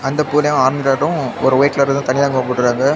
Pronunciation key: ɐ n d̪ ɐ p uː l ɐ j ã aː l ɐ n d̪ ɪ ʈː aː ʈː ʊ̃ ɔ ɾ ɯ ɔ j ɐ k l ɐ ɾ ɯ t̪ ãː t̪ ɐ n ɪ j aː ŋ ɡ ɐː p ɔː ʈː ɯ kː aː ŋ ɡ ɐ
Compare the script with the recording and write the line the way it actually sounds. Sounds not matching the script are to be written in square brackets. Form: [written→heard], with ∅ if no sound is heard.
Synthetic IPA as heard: ɐ n d̪ ɐ p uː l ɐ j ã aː [l→ɾ] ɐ n d̪ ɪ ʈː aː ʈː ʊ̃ ɔ ɾ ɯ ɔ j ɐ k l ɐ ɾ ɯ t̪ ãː t̪ ɐ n ɪ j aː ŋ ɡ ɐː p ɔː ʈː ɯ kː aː ŋ ɡ ɐ